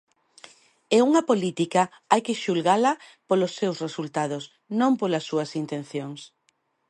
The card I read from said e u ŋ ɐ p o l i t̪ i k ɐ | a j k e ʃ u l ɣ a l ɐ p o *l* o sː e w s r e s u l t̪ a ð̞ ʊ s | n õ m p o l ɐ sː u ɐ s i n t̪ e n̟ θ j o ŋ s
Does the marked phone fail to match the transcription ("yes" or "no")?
no